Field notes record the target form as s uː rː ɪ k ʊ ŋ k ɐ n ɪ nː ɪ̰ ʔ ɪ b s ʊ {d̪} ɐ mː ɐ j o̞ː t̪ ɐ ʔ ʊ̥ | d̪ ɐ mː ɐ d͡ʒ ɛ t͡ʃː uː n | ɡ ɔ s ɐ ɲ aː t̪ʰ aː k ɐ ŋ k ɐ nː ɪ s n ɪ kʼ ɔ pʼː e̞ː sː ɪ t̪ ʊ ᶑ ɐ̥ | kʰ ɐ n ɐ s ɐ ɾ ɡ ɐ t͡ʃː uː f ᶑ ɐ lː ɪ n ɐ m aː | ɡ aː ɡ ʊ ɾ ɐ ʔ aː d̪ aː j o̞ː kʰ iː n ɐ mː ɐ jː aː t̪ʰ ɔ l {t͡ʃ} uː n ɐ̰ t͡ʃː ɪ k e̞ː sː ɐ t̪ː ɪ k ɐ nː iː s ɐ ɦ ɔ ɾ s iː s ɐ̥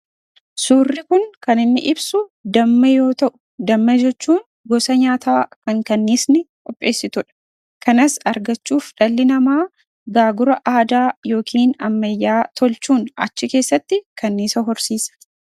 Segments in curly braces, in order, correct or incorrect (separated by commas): correct, correct